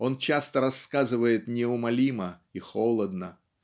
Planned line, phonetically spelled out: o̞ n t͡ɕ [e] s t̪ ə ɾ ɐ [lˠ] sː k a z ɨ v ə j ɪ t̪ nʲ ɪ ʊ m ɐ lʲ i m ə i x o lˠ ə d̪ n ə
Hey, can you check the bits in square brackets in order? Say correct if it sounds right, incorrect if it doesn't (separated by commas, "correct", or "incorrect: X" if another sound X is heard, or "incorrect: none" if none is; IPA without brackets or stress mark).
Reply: incorrect: a, incorrect: none